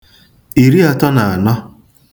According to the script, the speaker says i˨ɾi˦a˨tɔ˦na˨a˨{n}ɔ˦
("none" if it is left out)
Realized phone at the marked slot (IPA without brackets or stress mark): n